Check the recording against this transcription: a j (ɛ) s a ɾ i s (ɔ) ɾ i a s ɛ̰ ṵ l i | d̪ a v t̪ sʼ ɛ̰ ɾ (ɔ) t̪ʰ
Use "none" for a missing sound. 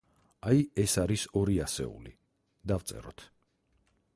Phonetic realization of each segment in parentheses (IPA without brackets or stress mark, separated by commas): ɛ, ɔ, ɔ